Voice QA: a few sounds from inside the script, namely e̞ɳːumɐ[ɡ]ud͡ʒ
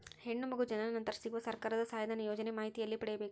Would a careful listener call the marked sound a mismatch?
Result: no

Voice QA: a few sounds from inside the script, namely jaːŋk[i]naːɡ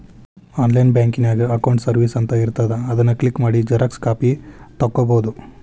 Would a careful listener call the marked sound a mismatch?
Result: no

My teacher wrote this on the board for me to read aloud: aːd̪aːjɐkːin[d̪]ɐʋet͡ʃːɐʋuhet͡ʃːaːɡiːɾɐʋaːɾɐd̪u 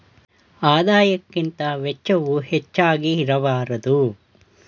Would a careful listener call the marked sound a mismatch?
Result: yes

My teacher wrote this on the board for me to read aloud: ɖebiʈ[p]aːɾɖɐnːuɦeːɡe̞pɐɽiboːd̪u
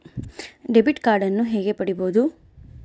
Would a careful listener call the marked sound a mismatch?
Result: yes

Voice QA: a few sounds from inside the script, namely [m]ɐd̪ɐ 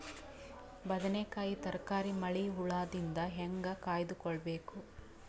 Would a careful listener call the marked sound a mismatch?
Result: yes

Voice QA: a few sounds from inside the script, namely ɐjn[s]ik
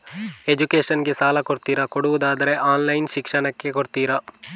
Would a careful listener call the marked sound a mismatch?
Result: yes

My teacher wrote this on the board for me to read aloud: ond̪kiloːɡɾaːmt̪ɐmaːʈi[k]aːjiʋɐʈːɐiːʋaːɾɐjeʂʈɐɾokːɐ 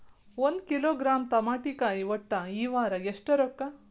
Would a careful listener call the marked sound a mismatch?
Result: no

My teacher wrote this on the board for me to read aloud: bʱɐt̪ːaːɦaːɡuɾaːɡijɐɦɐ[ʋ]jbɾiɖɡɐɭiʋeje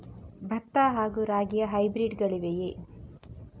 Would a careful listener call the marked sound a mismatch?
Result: yes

